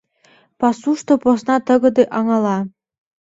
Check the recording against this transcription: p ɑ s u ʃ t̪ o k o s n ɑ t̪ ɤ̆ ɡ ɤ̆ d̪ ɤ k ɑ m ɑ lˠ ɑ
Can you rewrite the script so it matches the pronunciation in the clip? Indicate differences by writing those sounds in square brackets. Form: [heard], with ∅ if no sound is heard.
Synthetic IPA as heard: p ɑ s u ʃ t̪ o [p] o s n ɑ t̪ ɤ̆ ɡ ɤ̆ d̪ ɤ [ʔ] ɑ [ŋ] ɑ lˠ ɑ